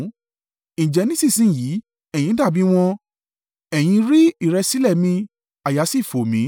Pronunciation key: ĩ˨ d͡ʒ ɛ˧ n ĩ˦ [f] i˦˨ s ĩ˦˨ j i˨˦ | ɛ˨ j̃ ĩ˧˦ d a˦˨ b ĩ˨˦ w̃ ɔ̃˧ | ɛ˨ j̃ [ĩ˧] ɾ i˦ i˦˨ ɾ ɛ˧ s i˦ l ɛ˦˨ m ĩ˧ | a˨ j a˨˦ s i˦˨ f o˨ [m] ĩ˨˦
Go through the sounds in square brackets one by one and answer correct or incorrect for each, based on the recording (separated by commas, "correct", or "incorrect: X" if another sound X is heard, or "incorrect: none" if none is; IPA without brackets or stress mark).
incorrect: s, correct, correct